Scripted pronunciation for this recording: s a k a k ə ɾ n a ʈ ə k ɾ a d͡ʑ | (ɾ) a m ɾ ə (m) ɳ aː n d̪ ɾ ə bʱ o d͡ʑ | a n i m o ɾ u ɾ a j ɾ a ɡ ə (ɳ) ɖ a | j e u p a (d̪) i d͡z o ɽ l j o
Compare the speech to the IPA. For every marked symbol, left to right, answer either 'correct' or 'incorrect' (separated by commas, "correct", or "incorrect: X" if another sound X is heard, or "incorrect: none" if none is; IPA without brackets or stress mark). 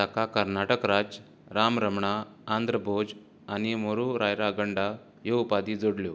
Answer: correct, correct, correct, correct